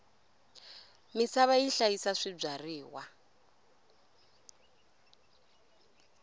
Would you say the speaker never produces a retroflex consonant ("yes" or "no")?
no